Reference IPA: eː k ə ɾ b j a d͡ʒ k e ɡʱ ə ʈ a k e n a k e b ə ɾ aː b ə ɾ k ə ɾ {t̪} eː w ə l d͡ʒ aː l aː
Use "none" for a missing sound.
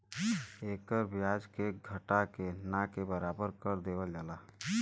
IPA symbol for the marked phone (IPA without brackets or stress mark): d̪